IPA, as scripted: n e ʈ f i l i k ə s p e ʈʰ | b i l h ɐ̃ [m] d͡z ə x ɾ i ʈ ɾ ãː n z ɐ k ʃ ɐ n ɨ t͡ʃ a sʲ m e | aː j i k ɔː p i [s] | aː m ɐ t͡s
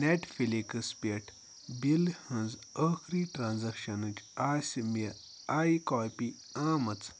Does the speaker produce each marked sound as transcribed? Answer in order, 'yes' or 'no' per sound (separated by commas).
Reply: no, no